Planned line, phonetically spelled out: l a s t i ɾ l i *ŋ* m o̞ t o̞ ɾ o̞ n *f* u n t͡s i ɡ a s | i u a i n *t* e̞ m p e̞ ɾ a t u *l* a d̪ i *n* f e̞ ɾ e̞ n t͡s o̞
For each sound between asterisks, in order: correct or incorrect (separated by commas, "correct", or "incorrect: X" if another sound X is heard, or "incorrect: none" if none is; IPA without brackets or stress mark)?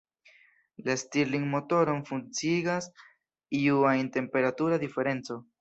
correct, correct, correct, incorrect: ɾ, incorrect: none